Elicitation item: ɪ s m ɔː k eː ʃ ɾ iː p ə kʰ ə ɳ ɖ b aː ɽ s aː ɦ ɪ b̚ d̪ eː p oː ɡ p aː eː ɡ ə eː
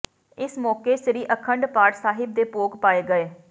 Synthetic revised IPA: ɪ s m ɔː k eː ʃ ɾ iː ʔ ə kʰ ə ɳ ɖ p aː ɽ s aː ɦ ɪ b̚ d̪ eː p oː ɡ p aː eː ɡ ə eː